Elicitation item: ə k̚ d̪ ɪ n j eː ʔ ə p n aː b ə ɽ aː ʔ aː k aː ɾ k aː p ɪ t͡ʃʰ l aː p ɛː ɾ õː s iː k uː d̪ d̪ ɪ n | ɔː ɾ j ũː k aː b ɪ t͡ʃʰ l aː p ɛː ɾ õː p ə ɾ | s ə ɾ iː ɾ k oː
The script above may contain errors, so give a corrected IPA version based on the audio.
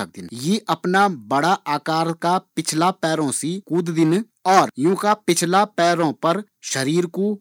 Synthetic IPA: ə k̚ d̪ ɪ n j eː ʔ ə p n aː b ə ɽ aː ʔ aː k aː ɾ k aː p ɪ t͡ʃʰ l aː p ɛː ɾ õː s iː k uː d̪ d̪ ɪ n | ɔː ɾ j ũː k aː p ɪ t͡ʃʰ l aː p ɛː ɾ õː p ə ɾ | ʃ ə ɾ iː ɾ k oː